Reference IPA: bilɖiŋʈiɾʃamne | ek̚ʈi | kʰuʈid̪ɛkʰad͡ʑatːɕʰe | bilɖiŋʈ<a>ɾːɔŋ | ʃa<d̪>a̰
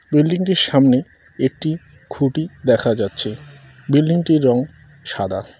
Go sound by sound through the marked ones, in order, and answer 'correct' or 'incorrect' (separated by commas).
incorrect, correct